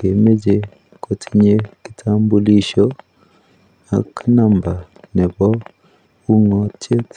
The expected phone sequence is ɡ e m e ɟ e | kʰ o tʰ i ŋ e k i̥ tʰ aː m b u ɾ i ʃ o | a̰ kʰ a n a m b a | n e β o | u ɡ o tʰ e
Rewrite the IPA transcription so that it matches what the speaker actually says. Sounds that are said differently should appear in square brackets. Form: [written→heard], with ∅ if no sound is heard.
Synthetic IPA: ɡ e m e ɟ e | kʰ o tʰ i [ŋ→ɲ] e k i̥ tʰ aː m b u [ɾ→l] i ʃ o | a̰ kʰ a n a m b a | n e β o | u [ɡ→ŋ] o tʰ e